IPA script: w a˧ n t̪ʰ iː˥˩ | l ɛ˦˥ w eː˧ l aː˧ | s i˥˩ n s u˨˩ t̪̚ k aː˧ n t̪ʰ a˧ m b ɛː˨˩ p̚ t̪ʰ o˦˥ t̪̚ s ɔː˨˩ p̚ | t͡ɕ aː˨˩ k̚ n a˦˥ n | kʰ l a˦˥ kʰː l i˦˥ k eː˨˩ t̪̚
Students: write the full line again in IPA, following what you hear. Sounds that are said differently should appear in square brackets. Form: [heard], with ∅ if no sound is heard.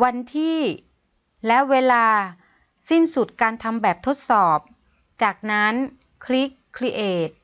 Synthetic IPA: w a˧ n t̪ʰ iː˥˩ | l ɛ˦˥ w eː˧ l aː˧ | s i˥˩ n s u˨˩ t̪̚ k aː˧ n t̪ʰ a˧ m b ɛː˨˩ p̚ t̪ʰ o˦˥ t̪̚ s ɔː˨˩ p̚ | t͡ɕ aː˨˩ k̚ n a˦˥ n | kʰ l [i˦˥] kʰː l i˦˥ [ʔ] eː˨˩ t̪̚